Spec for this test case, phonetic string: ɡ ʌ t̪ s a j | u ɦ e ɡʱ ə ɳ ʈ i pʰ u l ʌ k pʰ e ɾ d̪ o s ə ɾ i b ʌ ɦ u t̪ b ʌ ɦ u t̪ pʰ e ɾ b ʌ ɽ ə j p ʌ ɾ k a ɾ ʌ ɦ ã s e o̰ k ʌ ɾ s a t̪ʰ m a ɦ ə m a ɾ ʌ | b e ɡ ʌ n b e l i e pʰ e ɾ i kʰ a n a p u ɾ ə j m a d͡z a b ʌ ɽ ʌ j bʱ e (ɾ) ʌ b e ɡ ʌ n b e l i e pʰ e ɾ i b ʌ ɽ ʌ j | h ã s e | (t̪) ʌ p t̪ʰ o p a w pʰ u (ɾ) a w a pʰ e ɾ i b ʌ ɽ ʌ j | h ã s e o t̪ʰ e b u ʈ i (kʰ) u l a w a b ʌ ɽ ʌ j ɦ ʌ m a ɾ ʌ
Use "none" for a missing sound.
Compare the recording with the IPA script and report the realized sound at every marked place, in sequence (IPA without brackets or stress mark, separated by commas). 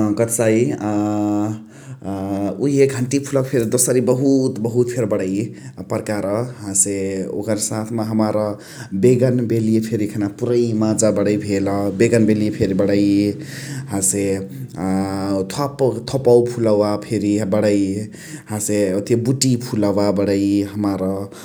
l, t̪ʰ, l, pʰ